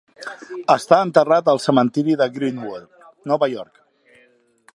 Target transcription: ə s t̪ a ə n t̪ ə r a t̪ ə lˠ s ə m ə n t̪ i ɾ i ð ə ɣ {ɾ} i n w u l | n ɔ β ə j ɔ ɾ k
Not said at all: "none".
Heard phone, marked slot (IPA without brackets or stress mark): ɾ